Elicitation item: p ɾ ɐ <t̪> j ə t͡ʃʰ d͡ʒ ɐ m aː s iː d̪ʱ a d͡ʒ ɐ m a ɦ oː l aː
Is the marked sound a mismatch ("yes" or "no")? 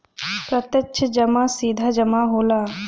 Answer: no